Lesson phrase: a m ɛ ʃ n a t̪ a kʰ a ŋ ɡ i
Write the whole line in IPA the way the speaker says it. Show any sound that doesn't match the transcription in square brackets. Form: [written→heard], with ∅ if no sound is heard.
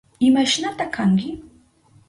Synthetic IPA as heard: [a→i] m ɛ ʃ n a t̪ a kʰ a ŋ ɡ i